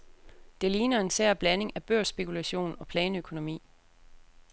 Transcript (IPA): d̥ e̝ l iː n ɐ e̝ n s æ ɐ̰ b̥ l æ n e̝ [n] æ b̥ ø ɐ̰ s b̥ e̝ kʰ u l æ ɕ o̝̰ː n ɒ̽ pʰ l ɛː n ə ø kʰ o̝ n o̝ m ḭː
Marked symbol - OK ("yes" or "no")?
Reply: no